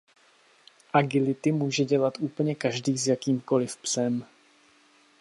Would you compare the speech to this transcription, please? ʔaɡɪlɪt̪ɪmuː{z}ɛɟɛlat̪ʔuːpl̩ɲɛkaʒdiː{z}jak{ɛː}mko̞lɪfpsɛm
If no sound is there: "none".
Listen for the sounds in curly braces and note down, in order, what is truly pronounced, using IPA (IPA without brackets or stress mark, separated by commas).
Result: ʒ, z, iː